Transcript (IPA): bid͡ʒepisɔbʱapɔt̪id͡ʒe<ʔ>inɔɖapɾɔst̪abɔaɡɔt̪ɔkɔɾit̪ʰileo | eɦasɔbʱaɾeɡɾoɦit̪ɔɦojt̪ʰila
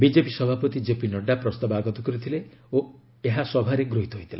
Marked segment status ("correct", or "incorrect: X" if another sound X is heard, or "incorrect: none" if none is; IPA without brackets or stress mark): incorrect: p